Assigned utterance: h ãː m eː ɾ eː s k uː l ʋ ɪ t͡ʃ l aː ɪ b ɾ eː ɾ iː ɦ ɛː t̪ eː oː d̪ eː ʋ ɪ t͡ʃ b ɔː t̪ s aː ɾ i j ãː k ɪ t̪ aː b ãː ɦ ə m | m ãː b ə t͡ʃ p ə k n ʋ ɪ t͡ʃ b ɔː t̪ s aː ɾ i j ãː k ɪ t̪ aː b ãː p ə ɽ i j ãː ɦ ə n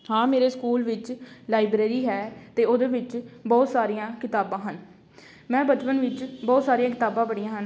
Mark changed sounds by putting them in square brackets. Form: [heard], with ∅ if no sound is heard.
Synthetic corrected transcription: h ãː m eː ɾ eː s k uː l ʋ ɪ t͡ʃ l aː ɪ b ɾ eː ɾ iː ɦ ɛː t̪ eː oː d̪ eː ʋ ɪ t͡ʃ b ɔː t̪ s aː ɾ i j ãː k ɪ t̪ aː b ãː ɦ ə [n] | m [ɛ̃ː] b ə t͡ʃ p ə [∅] n ʋ ɪ t͡ʃ b ɔː t̪ s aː ɾ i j ãː k ɪ t̪ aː b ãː [b] ə ɽ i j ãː ɦ ə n